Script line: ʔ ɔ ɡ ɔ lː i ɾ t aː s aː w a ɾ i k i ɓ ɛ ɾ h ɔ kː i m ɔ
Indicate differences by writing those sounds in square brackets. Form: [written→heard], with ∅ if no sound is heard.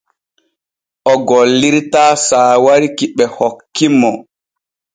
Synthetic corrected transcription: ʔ ɔ ɡ ɔ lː i ɾ t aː s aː w a ɾ i k i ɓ ɛ [ɾ→∅] h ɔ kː i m ɔ

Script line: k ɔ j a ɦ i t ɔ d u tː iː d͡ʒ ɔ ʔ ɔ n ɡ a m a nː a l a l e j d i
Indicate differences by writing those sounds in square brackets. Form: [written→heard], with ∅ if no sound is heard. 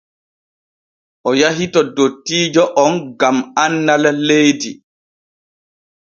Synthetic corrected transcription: [k→ʔ] ɔ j a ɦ i t ɔ d [u→o] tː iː d͡ʒ ɔ ʔ ɔ n ɡ a m a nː a l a l e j d i

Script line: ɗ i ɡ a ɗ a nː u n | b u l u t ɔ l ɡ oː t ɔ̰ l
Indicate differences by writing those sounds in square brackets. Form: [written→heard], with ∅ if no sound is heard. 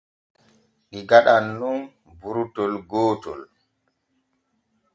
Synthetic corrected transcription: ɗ i ɡ a ɗ a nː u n | b u [l→ɾ] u t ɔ l ɡ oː t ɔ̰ l

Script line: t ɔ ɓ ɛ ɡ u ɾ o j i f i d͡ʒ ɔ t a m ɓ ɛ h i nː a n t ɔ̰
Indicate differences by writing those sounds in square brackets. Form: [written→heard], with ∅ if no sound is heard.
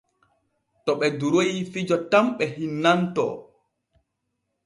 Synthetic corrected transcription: t ɔ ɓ ɛ [ɡ→d] u ɾ o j i f i d͡ʒ ɔ t a m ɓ ɛ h i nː a n t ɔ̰

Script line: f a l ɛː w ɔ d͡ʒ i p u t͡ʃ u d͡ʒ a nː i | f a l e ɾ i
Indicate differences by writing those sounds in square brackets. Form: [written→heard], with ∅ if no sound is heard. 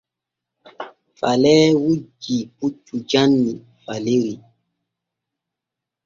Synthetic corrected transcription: f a l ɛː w [ɔ→u] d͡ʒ i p u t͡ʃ u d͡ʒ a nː i | f a l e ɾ i

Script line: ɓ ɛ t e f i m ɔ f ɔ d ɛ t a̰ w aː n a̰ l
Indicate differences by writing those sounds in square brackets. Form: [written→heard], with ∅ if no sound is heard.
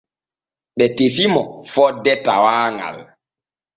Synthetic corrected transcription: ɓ ɛ t e f i m ɔ f ɔ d ɛ t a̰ w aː [n→ŋ] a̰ l

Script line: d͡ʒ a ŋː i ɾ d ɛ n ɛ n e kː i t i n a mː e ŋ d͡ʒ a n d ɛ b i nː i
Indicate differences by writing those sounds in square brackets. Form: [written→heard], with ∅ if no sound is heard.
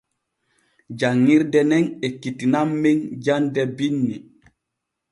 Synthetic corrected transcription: d͡ʒ a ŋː i ɾ d ɛ n ɛ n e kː i t i n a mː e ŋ d͡ʒ a n d ɛ b i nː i

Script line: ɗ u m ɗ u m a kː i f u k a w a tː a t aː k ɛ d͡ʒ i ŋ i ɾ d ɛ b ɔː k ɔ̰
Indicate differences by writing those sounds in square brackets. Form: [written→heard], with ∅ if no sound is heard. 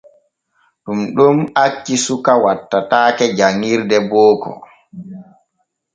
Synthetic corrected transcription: ɗ u m ɗ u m a kː i [f→s] u k a w a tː a t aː k ɛ d͡ʒ [i→a] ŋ i ɾ d ɛ b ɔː k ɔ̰

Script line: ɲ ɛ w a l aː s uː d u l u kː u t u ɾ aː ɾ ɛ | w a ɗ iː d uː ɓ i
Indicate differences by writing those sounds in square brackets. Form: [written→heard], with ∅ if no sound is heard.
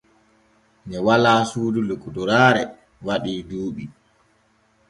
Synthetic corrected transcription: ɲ ɛ w a l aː s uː d u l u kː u [t→d] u ɾ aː ɾ ɛ | w a ɗ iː d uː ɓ i

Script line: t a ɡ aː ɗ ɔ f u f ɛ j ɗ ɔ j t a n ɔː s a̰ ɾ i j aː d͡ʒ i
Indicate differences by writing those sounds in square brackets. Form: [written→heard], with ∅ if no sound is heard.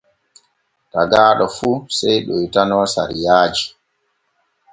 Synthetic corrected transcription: t a ɡ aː ɗ ɔ f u [f→s] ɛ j ɗ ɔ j t a n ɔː s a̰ ɾ i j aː d͡ʒ i

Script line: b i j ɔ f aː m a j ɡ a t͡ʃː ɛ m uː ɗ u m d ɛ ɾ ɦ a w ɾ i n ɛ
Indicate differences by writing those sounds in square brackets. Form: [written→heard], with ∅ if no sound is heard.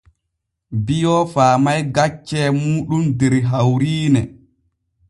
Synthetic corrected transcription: b i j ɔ f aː m a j ɡ a t͡ʃː ɛ m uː ɗ u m d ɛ ɾ ɦ a w ɾ [i→iː] n ɛ

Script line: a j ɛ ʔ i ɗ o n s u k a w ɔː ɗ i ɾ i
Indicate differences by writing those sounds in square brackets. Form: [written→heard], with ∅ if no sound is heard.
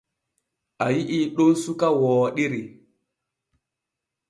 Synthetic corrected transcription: a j [ɛ→i] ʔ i ɗ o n s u k a w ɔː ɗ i ɾ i

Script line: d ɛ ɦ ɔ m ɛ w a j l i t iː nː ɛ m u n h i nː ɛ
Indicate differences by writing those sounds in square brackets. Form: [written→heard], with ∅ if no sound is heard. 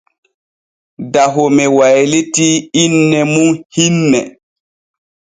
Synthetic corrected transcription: d [ɛ→a] ɦ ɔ m ɛ w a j l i t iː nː ɛ m u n h i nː ɛ

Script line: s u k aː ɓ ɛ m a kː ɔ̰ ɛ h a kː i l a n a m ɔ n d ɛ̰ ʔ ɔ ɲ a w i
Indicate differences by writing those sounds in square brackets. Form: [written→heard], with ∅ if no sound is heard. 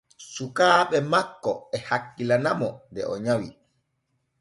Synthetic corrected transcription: s u k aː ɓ ɛ m a kː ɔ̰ ɛ h a kː i l a n a m ɔ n d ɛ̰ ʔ ɔ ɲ a w i

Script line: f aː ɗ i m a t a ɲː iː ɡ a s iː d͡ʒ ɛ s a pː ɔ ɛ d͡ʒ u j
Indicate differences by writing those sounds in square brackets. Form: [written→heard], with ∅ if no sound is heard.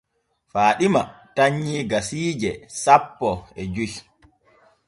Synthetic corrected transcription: f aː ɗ i m a t a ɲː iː ɡ a s iː d͡ʒ ɛ s a pː ɔ ɛ d͡ʒ u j

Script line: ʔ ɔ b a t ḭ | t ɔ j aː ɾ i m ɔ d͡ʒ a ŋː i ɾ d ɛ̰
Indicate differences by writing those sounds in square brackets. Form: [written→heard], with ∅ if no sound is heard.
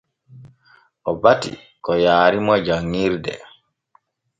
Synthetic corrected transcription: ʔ ɔ b a t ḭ | [t→k] ɔ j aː ɾ i m ɔ d͡ʒ a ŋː i ɾ d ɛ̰

